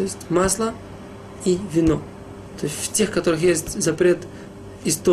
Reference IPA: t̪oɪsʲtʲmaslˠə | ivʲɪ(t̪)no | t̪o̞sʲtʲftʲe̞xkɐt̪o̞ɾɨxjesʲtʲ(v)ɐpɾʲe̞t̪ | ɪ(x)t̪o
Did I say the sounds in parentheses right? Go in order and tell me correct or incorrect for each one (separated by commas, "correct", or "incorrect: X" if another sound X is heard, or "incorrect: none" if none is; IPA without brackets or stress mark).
incorrect: none, incorrect: z, incorrect: s